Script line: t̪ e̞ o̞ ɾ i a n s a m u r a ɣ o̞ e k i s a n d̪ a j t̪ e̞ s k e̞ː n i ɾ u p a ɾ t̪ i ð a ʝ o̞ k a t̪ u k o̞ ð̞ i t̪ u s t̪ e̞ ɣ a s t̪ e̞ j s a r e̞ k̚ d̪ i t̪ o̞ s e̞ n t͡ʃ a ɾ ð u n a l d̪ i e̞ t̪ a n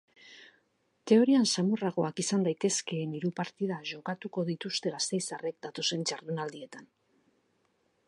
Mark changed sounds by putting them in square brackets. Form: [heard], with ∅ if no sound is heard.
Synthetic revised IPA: t̪ e̞ o̞ ɾ i a n s a m u r a ɣ o̞ [a] k i s a n d̪ a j t̪ e̞ s k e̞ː n i ɾ u p a ɾ t̪ i ð a ʝ o̞ k a t̪ u k o̞ ð̞ i t̪ u s t̪ e̞ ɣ a s t̪ e̞ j s a r e̞ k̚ d̪ [a] t̪ o̞ s e̞ n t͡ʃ a ɾ ð u n a l d̪ i e̞ t̪ a n